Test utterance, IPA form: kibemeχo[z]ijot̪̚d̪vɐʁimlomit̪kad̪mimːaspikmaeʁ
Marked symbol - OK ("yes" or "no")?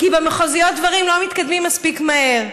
yes